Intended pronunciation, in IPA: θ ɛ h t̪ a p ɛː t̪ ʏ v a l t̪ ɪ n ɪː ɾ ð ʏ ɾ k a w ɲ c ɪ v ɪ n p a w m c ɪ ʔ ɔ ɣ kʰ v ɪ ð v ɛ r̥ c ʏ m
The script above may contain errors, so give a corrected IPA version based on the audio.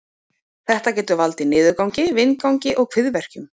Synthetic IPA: θ ɛ h t̪ a c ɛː t̪ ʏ v a l t̪ ɪ n ɪː ð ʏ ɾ k a w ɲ c ɪ v ɪ n k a w ɲ c ɪ ʔ ɔ ɣ kʰ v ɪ ð v ɛ r̥ c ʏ m